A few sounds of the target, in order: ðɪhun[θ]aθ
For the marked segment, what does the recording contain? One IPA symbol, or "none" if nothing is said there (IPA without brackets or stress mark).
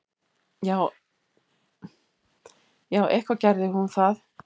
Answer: θ